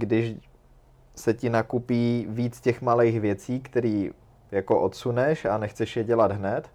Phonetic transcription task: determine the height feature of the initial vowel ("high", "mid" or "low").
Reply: high